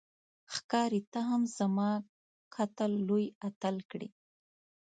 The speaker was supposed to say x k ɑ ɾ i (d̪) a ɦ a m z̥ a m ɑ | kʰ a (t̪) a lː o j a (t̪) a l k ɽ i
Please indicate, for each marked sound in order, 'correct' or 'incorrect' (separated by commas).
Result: incorrect, correct, correct